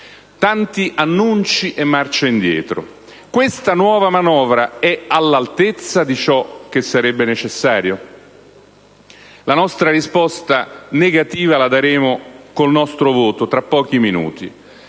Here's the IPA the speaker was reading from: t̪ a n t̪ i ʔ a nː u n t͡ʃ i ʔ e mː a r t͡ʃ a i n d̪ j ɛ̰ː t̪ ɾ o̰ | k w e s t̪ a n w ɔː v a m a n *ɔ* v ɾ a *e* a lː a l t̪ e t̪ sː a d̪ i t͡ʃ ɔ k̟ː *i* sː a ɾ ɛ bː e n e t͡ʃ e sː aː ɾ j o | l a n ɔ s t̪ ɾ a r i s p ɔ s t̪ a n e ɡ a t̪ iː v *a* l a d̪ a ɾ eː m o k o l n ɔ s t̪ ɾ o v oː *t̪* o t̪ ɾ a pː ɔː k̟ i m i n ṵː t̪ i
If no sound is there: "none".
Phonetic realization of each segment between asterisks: ɔː, ɛ, e, a, t̪

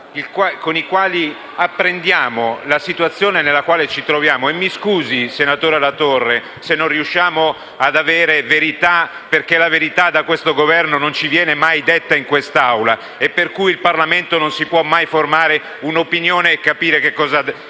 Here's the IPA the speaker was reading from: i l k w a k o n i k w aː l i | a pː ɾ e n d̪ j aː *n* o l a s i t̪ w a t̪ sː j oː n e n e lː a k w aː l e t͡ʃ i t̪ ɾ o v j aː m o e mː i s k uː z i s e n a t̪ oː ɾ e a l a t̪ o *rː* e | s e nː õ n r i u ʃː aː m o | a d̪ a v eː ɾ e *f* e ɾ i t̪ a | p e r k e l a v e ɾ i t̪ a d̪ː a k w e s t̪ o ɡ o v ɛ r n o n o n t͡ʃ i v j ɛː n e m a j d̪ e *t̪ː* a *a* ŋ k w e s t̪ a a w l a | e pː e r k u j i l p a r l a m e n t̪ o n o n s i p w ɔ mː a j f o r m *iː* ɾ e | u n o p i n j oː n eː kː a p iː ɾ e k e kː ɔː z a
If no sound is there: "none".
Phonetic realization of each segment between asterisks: m, rː, v, t̪ː, i, aː

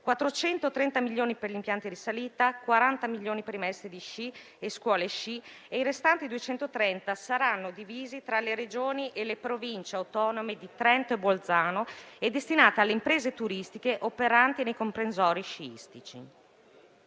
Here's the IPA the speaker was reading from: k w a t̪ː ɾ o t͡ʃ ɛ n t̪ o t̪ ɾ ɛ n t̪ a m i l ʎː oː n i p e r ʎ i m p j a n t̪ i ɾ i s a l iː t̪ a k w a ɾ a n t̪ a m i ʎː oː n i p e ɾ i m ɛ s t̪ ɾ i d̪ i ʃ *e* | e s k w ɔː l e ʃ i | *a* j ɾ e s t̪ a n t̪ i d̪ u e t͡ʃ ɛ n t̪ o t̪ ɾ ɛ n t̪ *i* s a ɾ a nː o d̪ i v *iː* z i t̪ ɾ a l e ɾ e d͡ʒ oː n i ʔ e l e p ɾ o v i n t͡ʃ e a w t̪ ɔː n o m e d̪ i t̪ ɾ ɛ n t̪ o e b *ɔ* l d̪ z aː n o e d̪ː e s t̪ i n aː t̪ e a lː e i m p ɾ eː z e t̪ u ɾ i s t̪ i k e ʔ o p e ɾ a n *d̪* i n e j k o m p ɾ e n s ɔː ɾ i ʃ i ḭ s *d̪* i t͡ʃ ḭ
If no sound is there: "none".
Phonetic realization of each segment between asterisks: i, e, a, iː, o, t̪, t̪

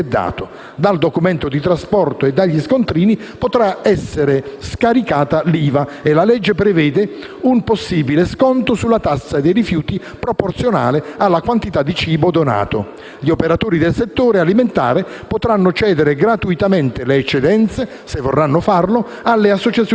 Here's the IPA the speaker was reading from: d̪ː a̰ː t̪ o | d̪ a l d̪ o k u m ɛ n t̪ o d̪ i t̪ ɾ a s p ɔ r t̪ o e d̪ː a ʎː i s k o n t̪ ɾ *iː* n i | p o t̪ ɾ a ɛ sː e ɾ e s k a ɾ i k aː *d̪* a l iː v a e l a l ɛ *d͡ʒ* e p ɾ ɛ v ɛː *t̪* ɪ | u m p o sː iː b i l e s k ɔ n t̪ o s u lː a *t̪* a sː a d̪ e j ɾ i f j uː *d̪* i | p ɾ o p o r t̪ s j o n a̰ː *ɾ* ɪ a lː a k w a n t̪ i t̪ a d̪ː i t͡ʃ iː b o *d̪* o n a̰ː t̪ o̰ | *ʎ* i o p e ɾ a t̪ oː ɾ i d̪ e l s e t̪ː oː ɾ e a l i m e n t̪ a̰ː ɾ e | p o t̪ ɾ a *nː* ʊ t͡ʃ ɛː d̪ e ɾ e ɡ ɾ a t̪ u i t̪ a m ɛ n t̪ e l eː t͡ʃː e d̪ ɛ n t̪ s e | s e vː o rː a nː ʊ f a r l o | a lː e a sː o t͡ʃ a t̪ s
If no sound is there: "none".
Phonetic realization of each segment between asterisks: iː, t̪, d͡ʒː, d̪, t̪, t̪, l, d̪, ʎ, nː

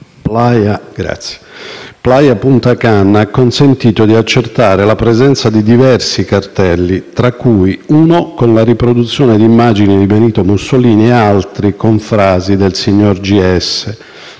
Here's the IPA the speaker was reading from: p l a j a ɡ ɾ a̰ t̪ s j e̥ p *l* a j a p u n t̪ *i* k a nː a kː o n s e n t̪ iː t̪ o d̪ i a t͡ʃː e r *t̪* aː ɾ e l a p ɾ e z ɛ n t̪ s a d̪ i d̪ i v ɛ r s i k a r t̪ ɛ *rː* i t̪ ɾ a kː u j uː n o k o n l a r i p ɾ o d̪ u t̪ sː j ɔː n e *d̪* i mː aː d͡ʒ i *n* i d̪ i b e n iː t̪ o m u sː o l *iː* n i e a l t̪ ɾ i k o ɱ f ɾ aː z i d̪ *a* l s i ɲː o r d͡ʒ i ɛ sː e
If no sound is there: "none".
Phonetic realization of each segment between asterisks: l, a, t̪, lː, d̪, n, iː, e

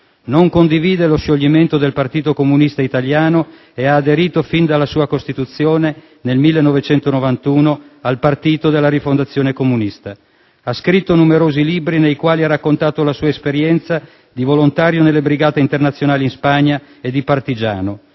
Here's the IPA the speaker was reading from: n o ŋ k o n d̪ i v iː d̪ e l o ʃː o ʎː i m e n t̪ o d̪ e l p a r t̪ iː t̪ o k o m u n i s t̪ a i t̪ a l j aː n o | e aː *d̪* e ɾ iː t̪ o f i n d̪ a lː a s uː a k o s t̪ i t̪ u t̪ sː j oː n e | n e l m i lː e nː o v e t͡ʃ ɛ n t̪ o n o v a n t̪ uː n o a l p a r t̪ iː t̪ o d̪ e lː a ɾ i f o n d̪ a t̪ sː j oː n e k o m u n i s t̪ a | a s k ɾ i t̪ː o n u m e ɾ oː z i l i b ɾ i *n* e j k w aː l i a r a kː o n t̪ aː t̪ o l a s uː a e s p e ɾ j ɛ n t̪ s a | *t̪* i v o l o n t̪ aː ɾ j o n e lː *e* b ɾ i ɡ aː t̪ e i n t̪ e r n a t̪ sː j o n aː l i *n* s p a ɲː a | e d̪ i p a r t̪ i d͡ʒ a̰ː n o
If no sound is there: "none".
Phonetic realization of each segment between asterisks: d̪, n, d̪, e, n

